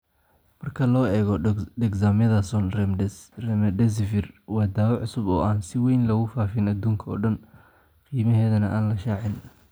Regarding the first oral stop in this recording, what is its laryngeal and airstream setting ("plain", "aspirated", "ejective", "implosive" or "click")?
aspirated